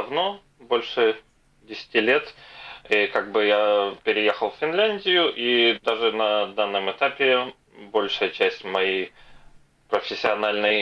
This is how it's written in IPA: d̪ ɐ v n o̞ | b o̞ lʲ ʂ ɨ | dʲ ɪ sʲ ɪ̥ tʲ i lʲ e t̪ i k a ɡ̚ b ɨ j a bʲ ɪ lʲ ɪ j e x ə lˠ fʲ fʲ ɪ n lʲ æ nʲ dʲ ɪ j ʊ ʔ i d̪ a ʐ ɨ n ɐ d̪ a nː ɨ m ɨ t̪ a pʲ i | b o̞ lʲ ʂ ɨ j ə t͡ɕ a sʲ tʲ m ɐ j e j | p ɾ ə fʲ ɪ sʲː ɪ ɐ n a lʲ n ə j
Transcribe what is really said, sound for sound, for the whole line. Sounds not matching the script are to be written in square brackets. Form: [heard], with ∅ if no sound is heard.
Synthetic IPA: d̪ ɐ v n o̞ | b o̞ lʲ ʂ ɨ | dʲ ɪ sʲ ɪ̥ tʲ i lʲ e t̪ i k a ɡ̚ b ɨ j a [pʲ] ɪ [ɾʲ] ɪ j e x ə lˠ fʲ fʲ ɪ n lʲ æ nʲ dʲ ɪ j ʊ ʔ i d̪ a ʐ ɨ n ɐ d̪ a nː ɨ m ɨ t̪ a pʲ [ɪ] | b o̞ lʲ ʂ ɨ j ə t͡ɕ [æ] sʲ tʲ m ɐ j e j | p ɾ ə fʲ ɪ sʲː ɪ ɐ n a lʲ n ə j